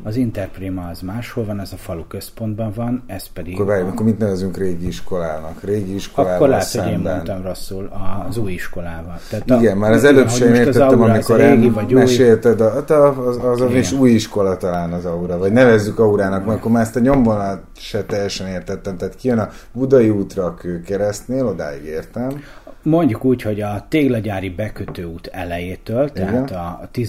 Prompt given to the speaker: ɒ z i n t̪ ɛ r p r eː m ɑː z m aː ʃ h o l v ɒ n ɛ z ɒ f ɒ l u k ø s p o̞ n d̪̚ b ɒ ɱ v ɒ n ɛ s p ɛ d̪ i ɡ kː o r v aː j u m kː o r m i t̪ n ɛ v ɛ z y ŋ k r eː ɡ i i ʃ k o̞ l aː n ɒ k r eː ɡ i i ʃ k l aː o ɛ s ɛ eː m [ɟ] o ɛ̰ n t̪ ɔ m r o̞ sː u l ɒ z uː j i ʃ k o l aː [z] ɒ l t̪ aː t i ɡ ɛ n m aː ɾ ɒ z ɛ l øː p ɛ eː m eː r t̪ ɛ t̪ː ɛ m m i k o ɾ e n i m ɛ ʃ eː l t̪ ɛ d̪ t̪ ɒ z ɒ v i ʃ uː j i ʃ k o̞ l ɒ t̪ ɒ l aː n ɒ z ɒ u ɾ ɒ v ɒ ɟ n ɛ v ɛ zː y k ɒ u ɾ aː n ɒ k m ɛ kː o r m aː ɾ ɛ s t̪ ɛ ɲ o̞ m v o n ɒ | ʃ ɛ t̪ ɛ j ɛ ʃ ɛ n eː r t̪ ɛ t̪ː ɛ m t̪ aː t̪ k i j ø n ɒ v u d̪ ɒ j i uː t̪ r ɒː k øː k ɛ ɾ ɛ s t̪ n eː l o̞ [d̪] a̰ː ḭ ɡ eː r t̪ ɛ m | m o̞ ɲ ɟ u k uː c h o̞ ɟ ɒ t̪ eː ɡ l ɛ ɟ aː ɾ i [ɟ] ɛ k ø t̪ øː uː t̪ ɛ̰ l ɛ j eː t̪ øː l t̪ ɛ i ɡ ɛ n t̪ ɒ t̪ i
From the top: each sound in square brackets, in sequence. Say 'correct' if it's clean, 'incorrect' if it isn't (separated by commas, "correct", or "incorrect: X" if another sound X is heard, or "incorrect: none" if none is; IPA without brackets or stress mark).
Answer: incorrect: b, incorrect: v, correct, incorrect: b